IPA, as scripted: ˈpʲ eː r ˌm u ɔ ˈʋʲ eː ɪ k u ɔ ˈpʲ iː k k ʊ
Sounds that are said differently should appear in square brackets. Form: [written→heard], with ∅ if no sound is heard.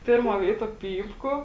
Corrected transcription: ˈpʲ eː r ˌm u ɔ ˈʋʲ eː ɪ [k→t] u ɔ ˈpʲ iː [k→p] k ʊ